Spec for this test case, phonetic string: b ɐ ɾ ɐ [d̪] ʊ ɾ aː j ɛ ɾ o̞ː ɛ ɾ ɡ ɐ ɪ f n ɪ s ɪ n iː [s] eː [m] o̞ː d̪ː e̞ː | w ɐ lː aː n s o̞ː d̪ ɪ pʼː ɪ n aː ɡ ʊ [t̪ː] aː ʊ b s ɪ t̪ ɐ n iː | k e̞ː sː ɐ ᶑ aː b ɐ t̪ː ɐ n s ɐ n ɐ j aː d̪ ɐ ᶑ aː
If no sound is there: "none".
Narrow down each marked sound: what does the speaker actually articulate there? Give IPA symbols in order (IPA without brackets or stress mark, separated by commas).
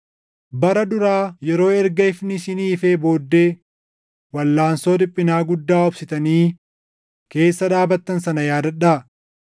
d̪, f, b, d̪ː